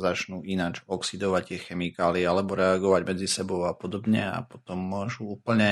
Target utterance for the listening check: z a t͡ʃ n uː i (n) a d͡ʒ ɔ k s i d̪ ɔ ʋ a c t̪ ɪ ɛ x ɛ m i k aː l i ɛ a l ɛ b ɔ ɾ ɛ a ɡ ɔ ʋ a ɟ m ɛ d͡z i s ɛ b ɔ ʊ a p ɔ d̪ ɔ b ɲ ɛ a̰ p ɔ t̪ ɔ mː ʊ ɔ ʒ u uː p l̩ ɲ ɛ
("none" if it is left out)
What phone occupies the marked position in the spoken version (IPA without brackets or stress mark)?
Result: n